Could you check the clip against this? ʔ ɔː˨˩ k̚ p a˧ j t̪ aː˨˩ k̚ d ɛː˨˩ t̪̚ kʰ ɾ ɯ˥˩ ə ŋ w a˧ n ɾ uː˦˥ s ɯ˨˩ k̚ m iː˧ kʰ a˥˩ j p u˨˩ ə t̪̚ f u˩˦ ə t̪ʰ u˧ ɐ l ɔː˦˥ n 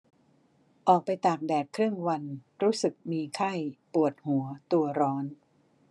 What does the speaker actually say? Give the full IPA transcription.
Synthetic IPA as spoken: ʔ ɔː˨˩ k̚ p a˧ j t̪ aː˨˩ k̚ d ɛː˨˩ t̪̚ kʰ ɾ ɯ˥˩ ə ŋ w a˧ n ɾ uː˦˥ s ɯ˨˩ k̚ m iː˧ kʰ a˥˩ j p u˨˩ ə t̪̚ h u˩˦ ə t̪ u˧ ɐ ɾ ɔː˦˥ n